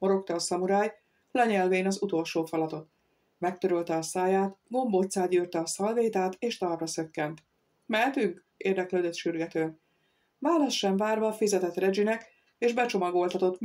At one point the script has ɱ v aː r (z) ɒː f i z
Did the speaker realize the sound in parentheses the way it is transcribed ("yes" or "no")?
no